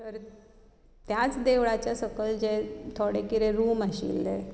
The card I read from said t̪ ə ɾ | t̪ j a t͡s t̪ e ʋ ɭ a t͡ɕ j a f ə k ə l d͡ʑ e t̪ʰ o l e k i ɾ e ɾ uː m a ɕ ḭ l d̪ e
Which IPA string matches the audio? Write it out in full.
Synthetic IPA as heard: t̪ ə ɾ | t̪ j a t͡s d̪ e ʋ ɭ a t͡ɕ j a s ə k ə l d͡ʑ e t̪ʰ o ɽ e k i ɾ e ɾ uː m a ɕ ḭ l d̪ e